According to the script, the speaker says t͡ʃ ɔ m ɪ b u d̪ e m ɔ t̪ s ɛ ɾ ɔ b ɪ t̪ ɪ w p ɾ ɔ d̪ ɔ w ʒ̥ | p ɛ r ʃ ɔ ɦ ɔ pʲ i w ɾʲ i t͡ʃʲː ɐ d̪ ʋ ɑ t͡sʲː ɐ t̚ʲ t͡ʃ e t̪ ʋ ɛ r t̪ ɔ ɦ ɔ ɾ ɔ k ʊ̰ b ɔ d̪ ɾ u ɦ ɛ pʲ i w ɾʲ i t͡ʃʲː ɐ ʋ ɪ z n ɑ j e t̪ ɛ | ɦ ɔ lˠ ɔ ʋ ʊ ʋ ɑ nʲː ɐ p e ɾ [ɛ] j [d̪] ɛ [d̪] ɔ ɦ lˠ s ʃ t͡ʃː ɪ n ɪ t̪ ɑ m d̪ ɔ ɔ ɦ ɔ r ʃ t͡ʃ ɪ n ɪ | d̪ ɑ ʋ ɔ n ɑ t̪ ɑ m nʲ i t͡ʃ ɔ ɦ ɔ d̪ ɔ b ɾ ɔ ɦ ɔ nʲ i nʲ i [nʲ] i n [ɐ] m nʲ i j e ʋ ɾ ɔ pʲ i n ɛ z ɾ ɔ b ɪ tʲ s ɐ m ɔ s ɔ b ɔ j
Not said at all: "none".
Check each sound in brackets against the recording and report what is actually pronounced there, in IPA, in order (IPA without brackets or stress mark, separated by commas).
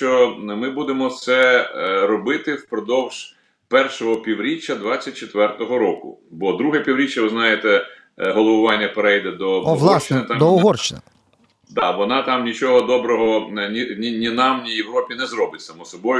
ɛ, d̪, d̪, nʲ, ɑ